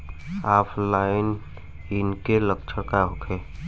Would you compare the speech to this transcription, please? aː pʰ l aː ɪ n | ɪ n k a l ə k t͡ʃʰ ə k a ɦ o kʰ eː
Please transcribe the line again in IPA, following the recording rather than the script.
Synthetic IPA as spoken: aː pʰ l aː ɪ n | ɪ n k e l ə k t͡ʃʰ ə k a ɦ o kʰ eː